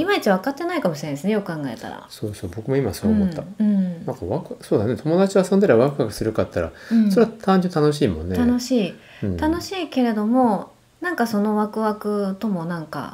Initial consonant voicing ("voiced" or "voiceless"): voiced